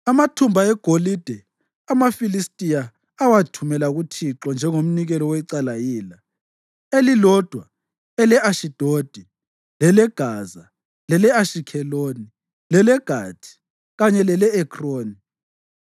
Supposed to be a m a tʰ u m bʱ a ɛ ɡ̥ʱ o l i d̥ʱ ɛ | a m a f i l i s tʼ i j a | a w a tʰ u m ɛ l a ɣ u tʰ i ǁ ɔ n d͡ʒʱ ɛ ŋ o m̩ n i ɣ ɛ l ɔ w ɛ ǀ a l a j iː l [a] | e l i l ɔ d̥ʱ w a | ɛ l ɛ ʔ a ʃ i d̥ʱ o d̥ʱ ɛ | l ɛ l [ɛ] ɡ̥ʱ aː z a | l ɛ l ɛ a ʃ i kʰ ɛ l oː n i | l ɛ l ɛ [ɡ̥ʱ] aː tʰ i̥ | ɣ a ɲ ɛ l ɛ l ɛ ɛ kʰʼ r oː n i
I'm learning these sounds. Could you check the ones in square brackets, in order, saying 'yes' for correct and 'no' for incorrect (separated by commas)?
yes, yes, yes